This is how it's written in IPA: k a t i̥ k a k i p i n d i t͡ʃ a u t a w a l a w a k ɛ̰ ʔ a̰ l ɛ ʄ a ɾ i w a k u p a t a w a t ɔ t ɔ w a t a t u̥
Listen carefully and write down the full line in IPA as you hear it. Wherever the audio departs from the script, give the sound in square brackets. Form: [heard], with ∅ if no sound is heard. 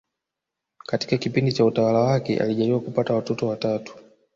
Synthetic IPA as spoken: k a t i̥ k a k i p i n d i t͡ʃ a u t a w a l a w a k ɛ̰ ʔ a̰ l [i] ʄ a ɾ i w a k u p a t a w a t ɔ t ɔ w a t a t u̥